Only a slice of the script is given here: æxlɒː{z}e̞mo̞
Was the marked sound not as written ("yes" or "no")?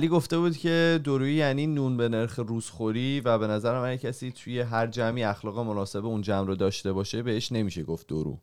yes